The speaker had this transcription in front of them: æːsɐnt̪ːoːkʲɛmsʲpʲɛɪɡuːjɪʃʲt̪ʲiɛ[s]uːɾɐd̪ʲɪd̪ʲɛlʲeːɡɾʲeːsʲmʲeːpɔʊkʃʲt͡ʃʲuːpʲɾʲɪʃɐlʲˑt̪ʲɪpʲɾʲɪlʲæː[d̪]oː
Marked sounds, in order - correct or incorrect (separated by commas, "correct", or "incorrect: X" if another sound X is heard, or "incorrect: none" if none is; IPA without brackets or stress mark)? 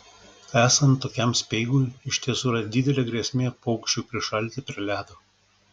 correct, correct